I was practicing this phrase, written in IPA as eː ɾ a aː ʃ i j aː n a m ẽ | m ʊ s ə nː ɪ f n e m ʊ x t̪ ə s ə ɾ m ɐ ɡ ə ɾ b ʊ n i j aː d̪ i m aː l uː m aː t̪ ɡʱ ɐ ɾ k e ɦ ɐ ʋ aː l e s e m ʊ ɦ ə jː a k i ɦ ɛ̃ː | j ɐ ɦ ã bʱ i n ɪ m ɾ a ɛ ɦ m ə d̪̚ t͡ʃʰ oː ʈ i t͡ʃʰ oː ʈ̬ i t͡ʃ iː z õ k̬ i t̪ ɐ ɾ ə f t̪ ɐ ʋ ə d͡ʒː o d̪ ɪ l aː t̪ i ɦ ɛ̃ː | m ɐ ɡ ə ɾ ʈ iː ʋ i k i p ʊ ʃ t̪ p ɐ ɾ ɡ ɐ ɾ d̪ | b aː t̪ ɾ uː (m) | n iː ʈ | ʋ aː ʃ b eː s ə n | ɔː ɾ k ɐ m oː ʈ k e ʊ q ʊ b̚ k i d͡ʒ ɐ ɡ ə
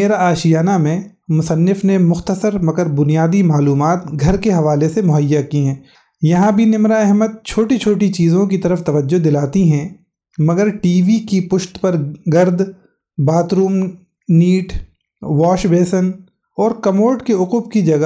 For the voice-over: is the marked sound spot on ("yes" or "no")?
yes